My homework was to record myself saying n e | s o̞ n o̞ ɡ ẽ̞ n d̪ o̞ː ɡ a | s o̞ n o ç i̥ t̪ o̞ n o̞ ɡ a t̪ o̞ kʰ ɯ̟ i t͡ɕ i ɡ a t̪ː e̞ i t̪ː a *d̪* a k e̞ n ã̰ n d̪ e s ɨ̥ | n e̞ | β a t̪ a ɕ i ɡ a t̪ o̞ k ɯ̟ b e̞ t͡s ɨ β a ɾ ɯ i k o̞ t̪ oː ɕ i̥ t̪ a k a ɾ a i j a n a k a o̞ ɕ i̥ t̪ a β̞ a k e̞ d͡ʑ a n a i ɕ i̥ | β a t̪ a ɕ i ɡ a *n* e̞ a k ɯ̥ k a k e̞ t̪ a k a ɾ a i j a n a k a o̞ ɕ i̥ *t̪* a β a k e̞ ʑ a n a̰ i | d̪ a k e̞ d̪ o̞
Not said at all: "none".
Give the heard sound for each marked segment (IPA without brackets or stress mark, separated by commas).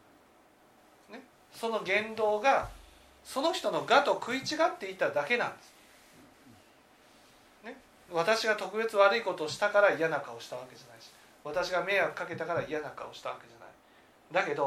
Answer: d̪, m, t̪